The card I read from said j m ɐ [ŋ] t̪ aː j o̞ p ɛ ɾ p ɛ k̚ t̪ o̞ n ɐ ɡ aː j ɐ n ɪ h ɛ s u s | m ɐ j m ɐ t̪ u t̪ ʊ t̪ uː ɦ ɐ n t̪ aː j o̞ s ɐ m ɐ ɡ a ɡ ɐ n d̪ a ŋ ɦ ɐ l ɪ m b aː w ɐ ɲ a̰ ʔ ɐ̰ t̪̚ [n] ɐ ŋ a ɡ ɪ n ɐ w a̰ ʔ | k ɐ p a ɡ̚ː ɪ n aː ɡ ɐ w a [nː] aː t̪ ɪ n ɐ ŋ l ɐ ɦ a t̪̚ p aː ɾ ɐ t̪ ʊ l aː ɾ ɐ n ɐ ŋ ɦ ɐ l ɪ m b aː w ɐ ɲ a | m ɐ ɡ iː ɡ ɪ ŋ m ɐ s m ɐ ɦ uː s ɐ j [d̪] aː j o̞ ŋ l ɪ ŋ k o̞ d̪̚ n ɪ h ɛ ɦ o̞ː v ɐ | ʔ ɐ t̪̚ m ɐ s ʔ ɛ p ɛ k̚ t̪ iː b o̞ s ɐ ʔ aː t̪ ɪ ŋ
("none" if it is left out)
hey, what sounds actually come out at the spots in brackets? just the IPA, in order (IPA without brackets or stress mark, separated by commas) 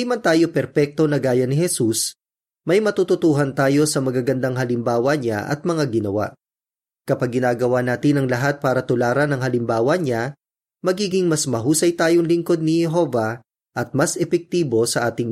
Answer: n, m, n, t̪